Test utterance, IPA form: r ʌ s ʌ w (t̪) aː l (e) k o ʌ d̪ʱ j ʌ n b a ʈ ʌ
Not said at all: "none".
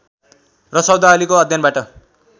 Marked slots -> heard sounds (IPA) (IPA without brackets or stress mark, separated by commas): d̪, i